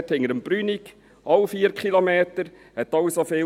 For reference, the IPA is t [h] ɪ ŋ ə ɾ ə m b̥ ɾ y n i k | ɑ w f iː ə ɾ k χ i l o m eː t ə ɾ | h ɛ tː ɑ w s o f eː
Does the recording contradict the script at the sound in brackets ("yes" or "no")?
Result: no